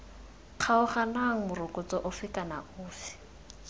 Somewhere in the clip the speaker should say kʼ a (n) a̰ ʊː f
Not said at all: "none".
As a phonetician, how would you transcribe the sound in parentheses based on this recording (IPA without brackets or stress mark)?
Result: n